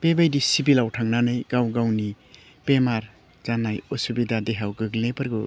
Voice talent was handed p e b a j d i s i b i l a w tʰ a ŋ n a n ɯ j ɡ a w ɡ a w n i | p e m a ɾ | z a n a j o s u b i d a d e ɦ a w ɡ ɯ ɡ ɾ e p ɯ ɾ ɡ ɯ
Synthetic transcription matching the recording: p e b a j d i s i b i l a w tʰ a ŋ n a n ɯ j ɡ a w ɡ a w n i | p e m a ɾ | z a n a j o s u b i d a d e ɦ a w ɡ ɯ ɡ l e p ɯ ɾ ɡ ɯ